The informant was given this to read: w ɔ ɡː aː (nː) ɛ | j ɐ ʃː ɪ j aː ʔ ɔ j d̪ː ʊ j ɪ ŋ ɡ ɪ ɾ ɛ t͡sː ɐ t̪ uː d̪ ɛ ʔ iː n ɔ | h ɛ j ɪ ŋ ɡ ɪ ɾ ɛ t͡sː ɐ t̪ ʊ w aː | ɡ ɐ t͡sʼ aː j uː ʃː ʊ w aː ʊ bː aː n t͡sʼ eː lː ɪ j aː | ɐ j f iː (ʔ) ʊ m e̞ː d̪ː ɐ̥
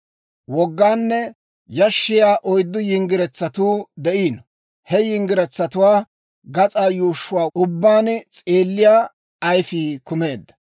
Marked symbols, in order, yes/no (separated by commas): yes, no